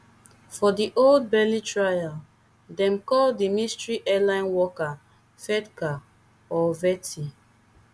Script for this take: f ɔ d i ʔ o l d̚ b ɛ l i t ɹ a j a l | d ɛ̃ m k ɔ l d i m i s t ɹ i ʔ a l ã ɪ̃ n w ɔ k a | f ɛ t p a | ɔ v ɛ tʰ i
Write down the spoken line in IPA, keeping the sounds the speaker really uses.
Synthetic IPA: f ɔ d i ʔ o l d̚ b ɛ l i t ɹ a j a l | d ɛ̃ m k ɔ l d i m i s t ɹ i ʔ ɛ l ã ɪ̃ n w ɔ k a | f ɛ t k a | ɔ v ɛ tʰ i